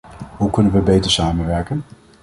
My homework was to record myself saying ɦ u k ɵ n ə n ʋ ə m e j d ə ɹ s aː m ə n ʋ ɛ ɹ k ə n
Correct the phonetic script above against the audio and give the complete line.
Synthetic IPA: ɦ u k ɵ n ə n ʋ ə b e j t ə ɹ s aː m ə n ʋ ɛ ɹ k ə n